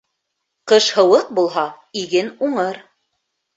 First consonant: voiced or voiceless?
voiceless